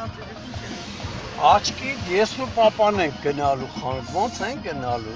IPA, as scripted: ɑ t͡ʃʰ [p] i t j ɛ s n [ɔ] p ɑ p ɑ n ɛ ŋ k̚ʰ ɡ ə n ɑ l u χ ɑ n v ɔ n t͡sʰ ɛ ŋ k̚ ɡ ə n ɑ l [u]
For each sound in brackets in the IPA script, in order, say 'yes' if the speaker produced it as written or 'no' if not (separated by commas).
no, no, yes